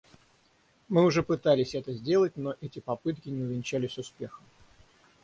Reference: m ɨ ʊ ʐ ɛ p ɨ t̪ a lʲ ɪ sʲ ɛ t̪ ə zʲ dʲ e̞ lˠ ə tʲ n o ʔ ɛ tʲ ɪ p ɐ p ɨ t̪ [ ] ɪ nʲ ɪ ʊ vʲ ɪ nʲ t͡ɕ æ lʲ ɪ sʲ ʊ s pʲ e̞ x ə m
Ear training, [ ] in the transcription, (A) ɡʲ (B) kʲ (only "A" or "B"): B